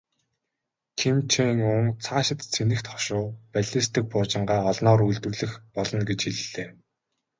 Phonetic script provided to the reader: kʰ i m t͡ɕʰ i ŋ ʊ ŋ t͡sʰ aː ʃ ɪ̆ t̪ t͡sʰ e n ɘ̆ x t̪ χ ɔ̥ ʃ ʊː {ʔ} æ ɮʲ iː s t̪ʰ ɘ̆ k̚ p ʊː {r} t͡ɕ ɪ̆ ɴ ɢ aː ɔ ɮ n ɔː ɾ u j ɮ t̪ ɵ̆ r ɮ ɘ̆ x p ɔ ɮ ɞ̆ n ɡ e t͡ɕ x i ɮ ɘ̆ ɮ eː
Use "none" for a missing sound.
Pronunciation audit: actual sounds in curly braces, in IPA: p, r

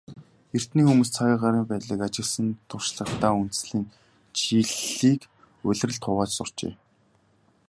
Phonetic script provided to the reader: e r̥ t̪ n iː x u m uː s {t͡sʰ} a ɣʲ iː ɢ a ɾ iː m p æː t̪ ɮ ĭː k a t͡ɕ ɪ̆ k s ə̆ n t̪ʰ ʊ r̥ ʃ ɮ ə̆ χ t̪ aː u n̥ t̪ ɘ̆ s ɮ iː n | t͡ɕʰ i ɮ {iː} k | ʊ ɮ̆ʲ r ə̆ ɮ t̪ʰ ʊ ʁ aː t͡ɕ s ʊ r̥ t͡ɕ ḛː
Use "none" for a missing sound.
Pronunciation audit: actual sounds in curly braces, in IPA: t͡sʰ, iː

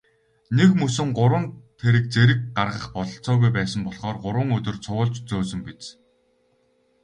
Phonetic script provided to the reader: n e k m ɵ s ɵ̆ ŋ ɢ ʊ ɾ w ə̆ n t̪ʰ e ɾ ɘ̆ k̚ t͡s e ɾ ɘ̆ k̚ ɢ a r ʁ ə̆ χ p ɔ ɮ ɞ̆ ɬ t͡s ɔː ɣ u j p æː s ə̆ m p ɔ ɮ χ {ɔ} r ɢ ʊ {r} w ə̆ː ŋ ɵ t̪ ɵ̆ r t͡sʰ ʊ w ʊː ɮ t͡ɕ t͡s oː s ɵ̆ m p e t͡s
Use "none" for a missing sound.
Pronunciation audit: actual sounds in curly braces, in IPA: ɔː, ɾ

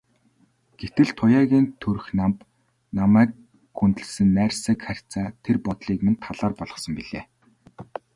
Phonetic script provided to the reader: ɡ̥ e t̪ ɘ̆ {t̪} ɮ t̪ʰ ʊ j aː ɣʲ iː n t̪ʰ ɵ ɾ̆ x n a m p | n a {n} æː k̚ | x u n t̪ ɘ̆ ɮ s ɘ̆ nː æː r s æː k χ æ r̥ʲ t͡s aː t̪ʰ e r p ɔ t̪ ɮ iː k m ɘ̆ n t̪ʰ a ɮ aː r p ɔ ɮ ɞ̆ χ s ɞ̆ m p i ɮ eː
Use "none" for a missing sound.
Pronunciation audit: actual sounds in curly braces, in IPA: none, m

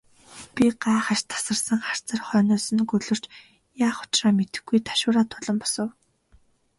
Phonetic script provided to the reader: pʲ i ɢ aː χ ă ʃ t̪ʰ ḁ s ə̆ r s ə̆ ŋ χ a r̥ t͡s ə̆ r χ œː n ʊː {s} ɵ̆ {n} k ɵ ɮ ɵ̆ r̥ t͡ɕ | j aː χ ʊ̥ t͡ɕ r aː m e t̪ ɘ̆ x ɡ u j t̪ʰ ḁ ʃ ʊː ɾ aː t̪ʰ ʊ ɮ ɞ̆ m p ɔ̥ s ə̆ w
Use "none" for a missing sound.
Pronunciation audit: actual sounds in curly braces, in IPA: s, n

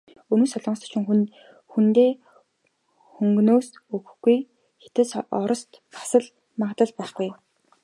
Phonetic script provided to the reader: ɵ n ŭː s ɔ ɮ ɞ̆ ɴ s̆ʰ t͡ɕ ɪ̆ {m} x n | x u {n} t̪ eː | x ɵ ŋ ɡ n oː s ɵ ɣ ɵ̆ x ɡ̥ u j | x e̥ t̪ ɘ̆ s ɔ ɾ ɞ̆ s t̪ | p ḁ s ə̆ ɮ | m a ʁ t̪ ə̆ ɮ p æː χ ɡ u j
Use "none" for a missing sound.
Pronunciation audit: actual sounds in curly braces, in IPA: ŋ, n

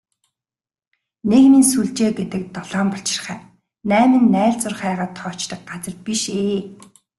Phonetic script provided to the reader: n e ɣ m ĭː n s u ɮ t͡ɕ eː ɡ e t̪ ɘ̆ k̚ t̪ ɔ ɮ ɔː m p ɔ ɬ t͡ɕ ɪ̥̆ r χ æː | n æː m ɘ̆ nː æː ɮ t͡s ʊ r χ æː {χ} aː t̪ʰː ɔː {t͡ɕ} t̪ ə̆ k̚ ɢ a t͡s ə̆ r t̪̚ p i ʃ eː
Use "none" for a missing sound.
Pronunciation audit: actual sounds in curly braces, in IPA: ʁ, t͡ɕ

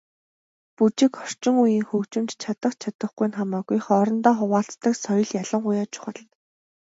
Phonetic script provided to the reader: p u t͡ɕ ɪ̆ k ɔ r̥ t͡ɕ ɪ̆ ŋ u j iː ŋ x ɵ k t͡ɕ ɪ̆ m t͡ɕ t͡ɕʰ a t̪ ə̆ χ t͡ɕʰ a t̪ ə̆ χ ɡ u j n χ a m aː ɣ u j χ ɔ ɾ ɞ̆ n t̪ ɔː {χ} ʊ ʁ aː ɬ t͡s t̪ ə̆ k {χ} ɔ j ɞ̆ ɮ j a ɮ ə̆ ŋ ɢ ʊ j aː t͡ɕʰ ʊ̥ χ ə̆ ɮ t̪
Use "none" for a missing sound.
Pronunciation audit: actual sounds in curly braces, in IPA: χ, s

